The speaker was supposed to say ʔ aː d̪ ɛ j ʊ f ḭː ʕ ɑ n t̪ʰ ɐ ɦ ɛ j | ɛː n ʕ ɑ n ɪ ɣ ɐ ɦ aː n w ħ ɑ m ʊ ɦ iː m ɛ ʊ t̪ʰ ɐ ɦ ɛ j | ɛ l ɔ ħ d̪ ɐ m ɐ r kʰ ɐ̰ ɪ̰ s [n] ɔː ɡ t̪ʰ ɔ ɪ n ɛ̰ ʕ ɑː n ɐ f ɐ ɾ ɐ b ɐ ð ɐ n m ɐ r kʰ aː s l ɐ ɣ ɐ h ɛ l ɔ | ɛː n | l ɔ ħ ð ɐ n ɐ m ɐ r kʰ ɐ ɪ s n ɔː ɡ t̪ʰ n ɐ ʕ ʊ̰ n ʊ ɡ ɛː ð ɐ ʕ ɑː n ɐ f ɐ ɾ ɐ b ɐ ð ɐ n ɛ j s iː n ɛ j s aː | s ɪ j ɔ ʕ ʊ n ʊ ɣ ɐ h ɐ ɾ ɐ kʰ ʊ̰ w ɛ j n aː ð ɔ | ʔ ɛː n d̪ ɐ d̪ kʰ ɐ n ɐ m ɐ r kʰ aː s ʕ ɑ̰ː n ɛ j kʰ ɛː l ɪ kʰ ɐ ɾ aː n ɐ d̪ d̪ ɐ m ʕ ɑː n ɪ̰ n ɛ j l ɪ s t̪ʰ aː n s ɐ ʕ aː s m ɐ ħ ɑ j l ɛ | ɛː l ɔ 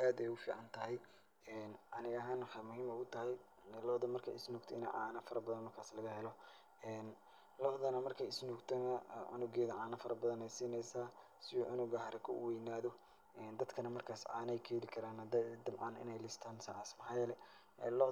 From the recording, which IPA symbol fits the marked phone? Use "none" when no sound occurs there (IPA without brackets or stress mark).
n